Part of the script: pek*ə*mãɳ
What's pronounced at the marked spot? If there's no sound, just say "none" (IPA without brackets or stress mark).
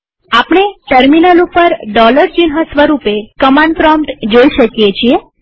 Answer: ə